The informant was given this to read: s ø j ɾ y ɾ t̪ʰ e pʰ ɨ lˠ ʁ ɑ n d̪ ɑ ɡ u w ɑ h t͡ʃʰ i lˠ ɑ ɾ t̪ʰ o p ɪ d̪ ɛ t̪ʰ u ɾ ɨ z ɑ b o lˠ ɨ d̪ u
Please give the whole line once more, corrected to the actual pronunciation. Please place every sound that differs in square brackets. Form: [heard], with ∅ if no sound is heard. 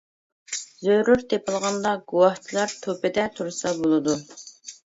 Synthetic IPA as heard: [z] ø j ɾ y ɾ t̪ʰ e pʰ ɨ lˠ ʁ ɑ n d̪ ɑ ɡ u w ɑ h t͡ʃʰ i lˠ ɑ ɾ t̪ʰ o p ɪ d̪ ɛ t̪ʰ u ɾ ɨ [s] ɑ b o lˠ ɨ d̪ u